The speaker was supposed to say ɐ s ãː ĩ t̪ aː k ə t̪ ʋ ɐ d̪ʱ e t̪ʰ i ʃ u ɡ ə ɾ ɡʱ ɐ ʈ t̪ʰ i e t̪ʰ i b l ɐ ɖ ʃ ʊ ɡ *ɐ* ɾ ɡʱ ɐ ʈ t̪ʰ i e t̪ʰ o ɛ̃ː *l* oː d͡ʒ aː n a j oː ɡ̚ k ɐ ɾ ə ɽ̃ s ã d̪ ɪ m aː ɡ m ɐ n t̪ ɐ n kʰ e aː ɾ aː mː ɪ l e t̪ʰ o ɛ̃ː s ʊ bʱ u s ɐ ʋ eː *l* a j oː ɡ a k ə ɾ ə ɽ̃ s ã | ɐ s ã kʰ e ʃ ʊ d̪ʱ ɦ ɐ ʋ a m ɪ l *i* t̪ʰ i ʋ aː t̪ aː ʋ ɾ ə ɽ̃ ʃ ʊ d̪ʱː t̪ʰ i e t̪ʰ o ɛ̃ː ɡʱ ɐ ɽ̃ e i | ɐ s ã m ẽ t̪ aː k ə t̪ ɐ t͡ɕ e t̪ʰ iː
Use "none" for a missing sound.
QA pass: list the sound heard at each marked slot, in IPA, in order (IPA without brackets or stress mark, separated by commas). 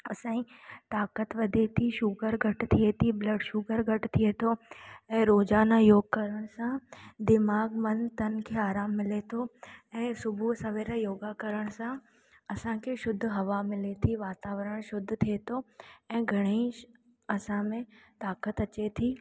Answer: ə, ɾ, ɾ, e